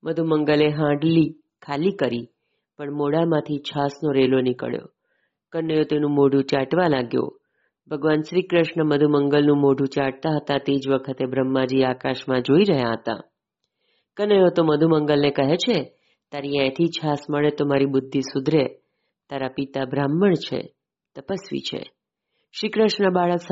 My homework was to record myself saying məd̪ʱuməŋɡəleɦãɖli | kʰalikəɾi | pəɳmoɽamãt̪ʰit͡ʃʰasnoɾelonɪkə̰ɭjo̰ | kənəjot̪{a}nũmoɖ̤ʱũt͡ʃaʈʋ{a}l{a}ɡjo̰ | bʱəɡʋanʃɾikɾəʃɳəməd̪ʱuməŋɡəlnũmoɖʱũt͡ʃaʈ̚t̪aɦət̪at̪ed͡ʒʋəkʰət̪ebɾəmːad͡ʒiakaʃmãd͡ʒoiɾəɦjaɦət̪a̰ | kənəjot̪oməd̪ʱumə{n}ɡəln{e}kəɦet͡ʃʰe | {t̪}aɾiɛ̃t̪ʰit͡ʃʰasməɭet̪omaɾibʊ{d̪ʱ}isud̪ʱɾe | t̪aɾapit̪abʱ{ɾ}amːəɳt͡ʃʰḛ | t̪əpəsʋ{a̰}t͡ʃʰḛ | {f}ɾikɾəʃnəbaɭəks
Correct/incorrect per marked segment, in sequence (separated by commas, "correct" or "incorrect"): incorrect, correct, correct, incorrect, correct, correct, incorrect, correct, incorrect, incorrect